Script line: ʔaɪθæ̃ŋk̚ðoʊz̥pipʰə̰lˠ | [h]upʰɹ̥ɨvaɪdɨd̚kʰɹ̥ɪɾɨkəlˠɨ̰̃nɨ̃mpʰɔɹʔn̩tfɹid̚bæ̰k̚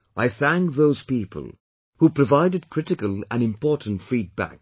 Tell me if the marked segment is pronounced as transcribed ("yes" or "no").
yes